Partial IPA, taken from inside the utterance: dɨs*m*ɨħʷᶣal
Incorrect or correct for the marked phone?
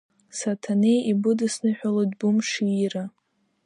incorrect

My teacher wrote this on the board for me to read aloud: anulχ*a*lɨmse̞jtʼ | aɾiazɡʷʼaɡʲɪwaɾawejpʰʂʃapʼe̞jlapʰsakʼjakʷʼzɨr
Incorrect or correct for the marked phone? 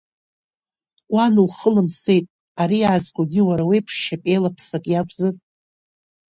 incorrect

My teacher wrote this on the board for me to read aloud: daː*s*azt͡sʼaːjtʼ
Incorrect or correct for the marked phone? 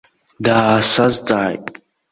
correct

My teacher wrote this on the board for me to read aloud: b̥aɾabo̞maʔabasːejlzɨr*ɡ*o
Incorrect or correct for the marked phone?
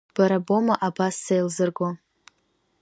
correct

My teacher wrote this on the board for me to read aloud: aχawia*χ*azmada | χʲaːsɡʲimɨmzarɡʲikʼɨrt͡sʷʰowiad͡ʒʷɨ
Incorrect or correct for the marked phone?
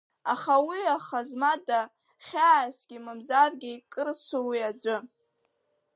correct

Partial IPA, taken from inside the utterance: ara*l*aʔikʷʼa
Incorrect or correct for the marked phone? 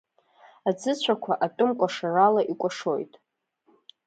correct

